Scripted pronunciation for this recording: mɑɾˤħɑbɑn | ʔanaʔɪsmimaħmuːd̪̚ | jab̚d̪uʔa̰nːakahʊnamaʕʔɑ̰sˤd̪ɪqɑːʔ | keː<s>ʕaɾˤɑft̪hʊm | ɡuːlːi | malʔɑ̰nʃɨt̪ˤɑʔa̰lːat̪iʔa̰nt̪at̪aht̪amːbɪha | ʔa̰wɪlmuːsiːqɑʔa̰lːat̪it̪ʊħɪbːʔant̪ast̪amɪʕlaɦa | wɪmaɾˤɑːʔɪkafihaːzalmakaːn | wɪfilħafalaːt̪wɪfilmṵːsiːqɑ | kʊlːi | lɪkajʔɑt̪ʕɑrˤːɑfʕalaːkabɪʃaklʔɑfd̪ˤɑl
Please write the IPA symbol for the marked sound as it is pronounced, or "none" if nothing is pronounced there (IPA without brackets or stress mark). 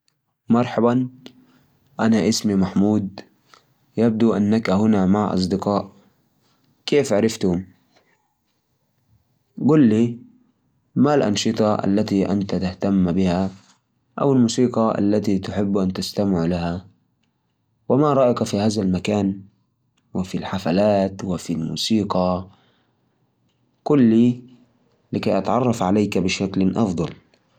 f